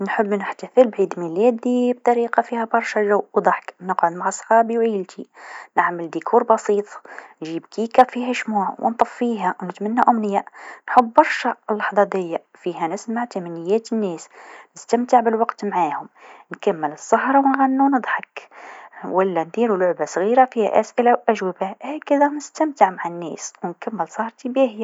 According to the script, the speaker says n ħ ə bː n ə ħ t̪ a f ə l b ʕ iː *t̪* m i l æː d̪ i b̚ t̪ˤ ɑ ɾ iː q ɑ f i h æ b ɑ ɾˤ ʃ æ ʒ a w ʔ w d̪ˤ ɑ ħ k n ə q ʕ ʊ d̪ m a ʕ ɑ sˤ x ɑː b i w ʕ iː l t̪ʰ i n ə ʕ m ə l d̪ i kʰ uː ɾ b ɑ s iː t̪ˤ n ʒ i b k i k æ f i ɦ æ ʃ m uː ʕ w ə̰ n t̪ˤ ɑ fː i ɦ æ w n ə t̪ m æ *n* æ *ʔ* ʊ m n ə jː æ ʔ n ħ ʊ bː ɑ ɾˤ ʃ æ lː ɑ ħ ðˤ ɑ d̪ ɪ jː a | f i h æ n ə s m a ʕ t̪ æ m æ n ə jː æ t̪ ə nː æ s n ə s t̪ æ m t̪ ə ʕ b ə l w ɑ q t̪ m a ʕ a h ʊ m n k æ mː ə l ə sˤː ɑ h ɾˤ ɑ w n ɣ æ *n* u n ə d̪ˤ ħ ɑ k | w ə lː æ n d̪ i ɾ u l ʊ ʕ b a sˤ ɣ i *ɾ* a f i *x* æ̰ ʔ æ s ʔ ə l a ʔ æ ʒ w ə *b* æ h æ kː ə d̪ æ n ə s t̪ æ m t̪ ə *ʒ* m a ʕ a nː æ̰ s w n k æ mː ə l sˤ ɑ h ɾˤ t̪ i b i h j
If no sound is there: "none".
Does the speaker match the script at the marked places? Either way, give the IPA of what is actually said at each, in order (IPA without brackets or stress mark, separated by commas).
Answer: d̪, nː, ʔ, nː, ɾ, h, b, ʕ